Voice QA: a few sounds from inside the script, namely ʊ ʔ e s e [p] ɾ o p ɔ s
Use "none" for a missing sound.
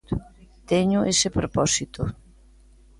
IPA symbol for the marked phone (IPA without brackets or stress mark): p